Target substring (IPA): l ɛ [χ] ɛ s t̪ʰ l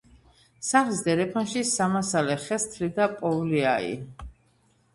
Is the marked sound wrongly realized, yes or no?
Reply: no